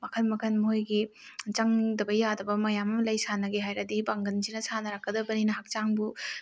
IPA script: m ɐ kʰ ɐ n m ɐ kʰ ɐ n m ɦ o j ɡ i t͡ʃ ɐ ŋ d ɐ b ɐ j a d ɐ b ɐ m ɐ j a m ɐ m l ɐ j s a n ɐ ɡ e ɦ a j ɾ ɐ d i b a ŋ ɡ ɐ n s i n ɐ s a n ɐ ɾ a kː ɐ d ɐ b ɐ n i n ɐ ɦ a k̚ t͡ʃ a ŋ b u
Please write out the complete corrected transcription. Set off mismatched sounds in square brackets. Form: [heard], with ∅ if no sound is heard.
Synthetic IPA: m ɐ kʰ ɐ n m ɐ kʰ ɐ n m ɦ o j ɡ i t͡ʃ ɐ ŋ d ɐ b ɐ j a d ɐ b ɐ m ɐ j a m ɐ m l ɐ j s a n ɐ ɡ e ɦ a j ɾ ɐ d i b a ŋ ɡ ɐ n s i n ɐ s a n ɐ ɾ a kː ɐ d ɐ b ɐ n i n ɐ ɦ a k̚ t͡ʃ a ŋ b u